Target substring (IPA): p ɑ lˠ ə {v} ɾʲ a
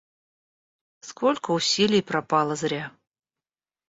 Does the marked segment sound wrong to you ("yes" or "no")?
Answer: yes